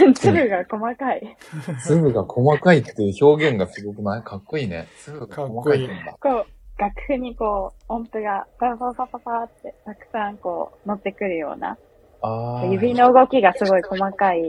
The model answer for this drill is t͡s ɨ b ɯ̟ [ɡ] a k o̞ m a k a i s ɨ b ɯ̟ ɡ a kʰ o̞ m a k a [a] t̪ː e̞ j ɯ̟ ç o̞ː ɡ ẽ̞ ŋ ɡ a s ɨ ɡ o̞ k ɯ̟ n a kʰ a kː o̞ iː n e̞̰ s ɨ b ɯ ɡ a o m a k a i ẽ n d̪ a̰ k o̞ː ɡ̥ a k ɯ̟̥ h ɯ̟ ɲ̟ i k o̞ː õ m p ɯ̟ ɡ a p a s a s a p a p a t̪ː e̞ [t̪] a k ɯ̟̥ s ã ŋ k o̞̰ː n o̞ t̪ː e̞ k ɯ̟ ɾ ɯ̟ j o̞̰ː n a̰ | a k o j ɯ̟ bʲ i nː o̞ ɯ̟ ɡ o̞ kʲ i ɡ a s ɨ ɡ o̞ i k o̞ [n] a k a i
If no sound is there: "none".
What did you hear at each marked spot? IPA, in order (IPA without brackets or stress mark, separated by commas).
ɡ, i, t̪, m